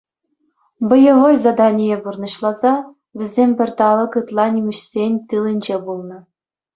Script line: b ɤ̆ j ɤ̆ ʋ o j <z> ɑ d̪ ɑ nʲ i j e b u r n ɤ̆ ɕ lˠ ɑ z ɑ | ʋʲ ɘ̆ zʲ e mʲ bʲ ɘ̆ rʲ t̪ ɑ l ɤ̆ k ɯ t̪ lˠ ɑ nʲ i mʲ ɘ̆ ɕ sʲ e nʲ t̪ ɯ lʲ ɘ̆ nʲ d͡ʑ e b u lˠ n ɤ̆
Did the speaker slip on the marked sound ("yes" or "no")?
no